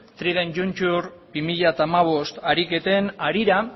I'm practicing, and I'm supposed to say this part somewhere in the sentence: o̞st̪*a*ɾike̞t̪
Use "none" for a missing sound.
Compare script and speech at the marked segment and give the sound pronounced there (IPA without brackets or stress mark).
a